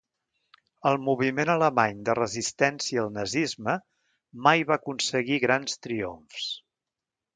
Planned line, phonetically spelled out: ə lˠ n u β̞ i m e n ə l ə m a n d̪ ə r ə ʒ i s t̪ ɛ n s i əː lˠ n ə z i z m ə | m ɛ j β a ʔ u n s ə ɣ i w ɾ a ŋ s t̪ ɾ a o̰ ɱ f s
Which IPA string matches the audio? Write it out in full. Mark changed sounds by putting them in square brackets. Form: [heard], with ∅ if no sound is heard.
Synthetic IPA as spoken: ə lˠ [m] u β̞ i m e n ə l ə m a [ɲ] d̪ ə r ə [z] i s t̪ ɛ n s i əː lˠ n ə z i z m ə | m [a] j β a [k] u n s ə ɣ i [ɣ] ɾ a [n] s t̪ ɾ [i] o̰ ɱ f s